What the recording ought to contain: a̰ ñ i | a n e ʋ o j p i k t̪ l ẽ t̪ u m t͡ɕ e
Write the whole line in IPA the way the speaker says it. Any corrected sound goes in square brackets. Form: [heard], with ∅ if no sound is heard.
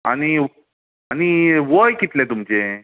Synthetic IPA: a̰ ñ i | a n [i] ʋ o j [k] i [∅] t̪ l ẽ t̪ u m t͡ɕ e